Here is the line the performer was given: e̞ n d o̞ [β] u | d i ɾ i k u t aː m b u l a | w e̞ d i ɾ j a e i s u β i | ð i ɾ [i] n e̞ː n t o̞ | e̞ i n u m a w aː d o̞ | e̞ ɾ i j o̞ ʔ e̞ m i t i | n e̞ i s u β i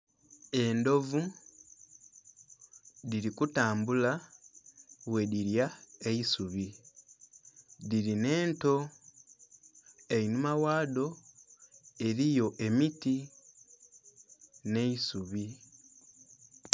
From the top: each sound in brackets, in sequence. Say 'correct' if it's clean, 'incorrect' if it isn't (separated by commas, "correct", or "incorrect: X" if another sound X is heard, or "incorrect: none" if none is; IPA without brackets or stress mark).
incorrect: v, correct